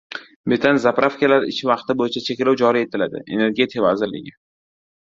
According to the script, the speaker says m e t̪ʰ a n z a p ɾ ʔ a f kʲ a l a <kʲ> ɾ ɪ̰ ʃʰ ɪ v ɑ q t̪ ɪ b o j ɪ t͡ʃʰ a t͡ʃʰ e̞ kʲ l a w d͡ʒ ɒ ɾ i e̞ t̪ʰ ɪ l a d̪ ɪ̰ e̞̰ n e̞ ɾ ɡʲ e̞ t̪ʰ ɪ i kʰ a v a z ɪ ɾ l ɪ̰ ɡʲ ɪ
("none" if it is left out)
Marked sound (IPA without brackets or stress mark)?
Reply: none